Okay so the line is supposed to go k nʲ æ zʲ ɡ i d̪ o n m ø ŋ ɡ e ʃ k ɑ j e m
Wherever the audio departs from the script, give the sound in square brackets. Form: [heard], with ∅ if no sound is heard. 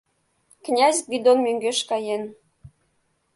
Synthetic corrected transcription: k nʲ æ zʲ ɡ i d̪ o n m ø ŋ ɡ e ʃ k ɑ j e [n]